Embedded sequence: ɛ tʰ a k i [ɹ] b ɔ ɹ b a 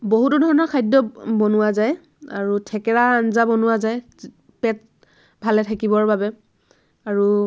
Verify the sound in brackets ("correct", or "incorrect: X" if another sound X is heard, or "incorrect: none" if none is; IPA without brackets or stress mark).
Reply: incorrect: none